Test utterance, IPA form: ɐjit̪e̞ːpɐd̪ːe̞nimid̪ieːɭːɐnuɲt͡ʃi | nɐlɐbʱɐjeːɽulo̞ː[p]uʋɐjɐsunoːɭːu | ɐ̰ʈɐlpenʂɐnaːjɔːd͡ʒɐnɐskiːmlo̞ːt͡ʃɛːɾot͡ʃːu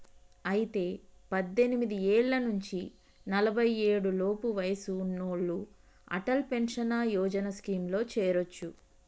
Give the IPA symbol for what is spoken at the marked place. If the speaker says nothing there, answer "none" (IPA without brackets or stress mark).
p